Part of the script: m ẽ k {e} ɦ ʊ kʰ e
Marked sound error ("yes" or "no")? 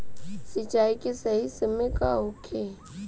yes